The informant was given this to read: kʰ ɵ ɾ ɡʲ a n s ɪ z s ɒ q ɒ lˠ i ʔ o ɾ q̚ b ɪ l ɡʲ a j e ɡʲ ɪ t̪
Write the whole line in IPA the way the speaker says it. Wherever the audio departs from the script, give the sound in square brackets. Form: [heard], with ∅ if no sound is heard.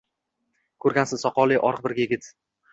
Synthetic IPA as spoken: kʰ ɵ ɾ ɡʲ a n s ɪ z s ɒ q ɒ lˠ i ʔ [ɒ] ɾ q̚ b ɪ [ɾ] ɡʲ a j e ɡʲ ɪ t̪